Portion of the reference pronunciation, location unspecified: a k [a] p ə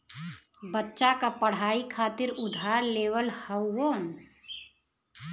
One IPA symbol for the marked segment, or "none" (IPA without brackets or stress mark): a